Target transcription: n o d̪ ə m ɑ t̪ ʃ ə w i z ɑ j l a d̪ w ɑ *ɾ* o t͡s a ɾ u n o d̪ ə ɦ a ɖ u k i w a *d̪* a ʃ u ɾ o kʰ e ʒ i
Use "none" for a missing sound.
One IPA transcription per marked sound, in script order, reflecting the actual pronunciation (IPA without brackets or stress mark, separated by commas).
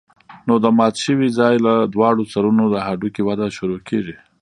ɽ, d̪